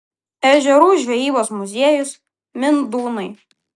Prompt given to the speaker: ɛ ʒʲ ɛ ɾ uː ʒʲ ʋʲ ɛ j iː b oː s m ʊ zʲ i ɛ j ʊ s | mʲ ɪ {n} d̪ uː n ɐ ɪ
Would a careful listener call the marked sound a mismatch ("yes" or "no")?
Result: no